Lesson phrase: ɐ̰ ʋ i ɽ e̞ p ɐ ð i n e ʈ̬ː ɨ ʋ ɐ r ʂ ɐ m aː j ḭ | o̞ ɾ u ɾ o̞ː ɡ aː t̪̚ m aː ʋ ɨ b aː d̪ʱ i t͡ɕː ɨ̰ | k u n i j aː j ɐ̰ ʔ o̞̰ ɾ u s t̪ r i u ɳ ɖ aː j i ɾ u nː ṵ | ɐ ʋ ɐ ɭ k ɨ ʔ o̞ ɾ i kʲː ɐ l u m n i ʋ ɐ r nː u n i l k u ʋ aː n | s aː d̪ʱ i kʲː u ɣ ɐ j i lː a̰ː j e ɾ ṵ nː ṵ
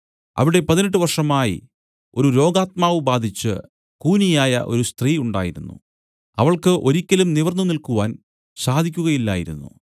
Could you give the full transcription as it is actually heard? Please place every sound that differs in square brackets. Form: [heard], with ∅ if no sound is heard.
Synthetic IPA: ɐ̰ ʋ i ɽ e̞ p ɐ ð i n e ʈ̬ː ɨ ʋ ɐ r ʂ ɐ m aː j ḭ | o̞ ɾ u ɾ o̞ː ɡ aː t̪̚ m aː ʋ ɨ b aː d̪ʱ i t͡ɕː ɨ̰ | k [uː] n i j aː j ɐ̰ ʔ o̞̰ ɾ u s t̪ r [iː] u ɳ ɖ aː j i ɾ u nː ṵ | ɐ ʋ ɐ ɭ k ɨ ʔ o̞ ɾ i kʲː ɐ l u m n i ʋ ɐ r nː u n i l k u ʋ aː n | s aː d̪ʱ i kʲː u ɣ ɐ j i lː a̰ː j [i] ɾ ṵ nː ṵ